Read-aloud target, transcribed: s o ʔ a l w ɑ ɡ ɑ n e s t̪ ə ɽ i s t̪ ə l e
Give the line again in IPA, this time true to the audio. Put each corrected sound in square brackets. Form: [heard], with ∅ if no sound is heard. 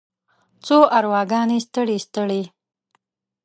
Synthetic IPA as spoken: [t͡s] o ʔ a [ɾ] w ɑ ɡ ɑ n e s t̪ ə ɽ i s t̪ ə [ɽ] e